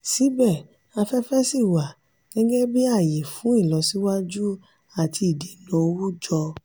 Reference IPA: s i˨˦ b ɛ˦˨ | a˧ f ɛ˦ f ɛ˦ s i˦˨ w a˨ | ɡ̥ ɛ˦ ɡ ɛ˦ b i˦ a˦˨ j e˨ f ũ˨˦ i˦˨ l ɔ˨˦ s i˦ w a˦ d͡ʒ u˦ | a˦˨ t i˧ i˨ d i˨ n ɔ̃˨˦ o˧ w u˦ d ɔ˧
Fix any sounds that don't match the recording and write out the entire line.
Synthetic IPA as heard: s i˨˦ b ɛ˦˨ | a˧ f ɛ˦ f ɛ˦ s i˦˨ w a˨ | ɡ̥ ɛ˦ ɡ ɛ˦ b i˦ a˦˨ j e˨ f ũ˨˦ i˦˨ l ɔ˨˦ s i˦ w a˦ d͡ʒ u˦ | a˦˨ t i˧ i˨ d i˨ n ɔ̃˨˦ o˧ w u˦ d͡ʒ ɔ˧